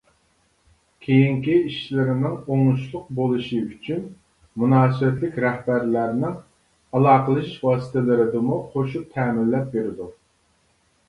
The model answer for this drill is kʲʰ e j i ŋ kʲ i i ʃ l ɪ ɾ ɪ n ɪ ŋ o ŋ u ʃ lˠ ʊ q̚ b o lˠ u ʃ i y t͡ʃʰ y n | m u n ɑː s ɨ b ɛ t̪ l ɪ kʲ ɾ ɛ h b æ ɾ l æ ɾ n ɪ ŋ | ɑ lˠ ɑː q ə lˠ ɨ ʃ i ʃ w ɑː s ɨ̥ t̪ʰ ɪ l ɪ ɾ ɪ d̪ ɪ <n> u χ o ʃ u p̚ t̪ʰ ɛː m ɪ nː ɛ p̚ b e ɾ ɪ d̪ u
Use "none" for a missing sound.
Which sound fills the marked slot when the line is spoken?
m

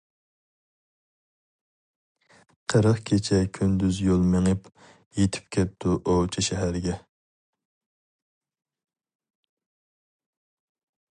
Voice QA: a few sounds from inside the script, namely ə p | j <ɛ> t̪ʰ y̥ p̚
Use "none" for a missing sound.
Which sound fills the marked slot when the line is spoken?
e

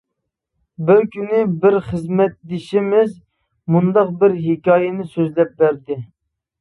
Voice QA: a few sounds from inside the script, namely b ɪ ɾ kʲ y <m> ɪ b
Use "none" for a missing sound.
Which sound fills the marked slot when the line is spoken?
n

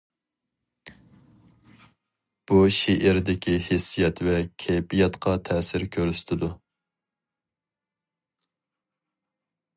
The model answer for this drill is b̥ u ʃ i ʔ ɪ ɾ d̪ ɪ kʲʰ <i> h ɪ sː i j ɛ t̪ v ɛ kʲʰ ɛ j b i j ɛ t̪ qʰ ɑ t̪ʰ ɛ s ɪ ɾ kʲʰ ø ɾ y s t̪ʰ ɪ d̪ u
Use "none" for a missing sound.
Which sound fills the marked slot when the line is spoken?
i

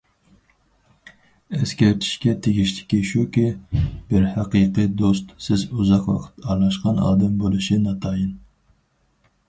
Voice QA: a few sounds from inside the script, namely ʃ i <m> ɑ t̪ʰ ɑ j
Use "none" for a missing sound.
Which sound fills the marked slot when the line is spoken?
n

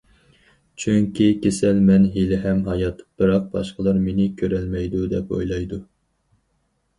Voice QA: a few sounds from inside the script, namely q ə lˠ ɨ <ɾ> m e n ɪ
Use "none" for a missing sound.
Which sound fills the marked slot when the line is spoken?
ɾ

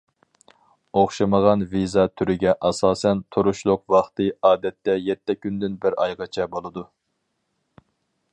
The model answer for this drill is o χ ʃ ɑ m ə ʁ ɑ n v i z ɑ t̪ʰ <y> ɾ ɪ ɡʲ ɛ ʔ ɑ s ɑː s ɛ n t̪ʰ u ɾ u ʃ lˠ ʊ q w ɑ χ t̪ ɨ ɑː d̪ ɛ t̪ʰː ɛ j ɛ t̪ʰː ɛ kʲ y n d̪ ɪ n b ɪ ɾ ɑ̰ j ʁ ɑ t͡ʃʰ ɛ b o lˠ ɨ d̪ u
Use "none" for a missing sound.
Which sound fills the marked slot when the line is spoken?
y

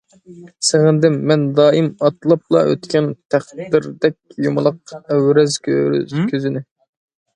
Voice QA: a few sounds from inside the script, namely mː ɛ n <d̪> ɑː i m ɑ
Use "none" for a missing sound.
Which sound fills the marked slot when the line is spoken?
d̪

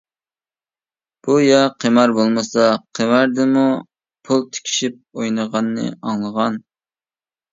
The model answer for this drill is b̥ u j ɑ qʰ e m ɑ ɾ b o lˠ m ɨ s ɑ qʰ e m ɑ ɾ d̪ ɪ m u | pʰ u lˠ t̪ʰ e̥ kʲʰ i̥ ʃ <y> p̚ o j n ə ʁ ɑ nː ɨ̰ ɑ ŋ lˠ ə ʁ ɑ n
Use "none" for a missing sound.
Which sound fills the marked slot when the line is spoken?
i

